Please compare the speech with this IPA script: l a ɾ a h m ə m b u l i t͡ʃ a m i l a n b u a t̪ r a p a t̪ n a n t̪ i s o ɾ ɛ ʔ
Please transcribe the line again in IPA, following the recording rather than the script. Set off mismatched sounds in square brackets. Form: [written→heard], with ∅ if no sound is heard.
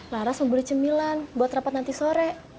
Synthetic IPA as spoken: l a ɾ a [h→s] m ə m b u l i t͡ʃ [a→ə] m i l a n b u a t̪ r a p a t̪ n a n t̪ i s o ɾ ɛ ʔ